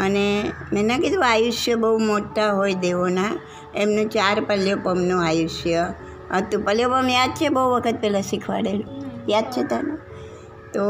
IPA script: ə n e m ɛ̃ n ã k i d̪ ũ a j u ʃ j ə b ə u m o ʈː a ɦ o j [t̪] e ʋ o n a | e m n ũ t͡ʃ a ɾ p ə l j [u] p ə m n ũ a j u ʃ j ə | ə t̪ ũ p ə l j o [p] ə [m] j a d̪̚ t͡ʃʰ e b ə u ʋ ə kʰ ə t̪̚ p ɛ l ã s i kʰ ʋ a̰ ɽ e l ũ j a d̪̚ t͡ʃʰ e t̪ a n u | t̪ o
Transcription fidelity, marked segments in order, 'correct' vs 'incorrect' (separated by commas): incorrect, incorrect, correct, correct